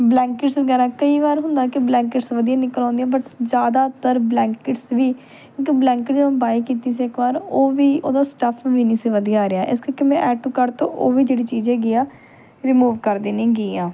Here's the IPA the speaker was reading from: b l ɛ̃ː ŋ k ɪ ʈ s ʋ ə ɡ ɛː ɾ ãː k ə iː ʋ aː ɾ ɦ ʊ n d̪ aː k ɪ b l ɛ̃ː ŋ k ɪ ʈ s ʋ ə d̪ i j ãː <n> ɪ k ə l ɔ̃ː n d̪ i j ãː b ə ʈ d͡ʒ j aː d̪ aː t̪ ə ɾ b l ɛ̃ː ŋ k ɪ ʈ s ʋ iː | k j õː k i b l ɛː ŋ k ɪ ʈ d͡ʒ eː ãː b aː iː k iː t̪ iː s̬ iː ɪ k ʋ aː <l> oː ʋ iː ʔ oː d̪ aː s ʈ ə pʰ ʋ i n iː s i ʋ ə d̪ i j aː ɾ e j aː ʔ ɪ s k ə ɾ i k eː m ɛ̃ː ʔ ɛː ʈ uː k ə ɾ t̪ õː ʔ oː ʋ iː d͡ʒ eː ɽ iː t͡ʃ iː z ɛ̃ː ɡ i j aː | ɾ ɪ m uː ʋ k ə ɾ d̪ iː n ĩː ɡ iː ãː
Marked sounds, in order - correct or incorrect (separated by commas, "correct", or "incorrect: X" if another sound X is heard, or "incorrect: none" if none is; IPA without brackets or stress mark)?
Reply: correct, incorrect: ɾ